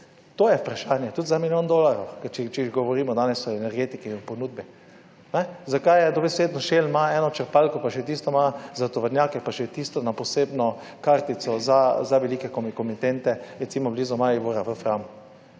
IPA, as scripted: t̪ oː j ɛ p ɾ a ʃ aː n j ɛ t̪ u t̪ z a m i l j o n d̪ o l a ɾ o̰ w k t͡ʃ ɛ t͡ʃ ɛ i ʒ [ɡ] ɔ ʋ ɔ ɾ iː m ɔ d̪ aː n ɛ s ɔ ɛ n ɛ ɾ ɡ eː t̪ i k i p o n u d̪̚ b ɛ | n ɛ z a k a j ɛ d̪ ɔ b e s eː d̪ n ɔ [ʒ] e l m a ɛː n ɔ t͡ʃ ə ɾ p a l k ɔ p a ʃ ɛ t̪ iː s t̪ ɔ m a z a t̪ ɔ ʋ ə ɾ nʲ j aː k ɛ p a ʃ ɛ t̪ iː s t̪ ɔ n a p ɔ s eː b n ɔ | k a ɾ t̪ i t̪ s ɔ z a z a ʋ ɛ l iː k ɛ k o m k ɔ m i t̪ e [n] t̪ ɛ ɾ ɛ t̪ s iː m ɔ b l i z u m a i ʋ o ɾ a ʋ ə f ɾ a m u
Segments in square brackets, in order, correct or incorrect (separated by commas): correct, incorrect, correct